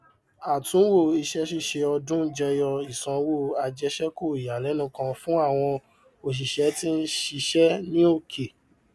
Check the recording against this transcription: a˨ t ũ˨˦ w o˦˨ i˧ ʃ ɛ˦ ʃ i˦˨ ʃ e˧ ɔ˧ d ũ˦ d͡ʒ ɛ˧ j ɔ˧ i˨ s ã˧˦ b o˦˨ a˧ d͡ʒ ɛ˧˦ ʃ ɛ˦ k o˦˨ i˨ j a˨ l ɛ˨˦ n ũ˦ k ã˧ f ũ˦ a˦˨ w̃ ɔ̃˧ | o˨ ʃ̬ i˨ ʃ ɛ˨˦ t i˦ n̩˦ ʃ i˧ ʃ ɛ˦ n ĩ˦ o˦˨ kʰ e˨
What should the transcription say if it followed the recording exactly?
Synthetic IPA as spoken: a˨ t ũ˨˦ w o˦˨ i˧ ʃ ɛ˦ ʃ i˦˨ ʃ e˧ ɔ˧ d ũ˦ d͡ʒ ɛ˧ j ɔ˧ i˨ s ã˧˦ w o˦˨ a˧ d͡ʒ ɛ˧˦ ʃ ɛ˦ k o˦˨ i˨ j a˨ l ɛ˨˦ n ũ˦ k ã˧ f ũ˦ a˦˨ w̃ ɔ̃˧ | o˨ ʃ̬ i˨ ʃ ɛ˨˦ t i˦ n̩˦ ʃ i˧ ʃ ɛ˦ n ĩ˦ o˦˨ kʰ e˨